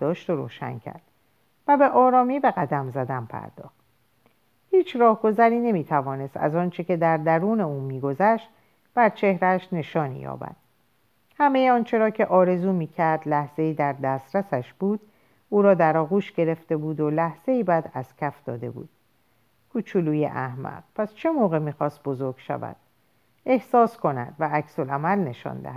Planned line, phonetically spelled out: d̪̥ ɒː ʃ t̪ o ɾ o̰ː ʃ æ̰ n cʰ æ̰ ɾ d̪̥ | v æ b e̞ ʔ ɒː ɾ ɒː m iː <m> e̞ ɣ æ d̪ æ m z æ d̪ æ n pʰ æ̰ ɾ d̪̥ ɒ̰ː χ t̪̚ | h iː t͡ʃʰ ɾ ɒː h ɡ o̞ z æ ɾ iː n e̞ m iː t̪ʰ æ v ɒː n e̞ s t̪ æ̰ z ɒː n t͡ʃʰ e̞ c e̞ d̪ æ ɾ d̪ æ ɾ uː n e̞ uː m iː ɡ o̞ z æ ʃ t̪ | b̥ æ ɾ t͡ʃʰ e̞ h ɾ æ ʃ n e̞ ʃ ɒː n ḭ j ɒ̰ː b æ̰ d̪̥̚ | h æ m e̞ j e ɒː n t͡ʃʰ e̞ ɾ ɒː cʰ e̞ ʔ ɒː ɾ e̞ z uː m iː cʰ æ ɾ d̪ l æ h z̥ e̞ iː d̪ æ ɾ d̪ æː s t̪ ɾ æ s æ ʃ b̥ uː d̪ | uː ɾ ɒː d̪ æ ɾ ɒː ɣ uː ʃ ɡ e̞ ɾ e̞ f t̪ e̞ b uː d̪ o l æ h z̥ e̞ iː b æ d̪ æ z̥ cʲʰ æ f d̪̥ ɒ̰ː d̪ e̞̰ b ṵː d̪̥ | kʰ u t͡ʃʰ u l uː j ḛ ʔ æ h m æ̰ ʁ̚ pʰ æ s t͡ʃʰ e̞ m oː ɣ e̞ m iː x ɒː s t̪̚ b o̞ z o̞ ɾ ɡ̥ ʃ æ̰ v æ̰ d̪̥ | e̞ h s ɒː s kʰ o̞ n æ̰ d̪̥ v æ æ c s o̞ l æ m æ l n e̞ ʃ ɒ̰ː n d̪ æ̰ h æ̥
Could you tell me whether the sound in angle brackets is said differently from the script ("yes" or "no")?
yes